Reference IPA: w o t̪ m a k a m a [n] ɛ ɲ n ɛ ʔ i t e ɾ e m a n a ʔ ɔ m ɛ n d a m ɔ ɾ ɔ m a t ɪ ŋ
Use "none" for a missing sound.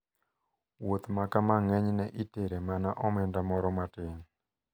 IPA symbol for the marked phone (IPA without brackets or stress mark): ŋ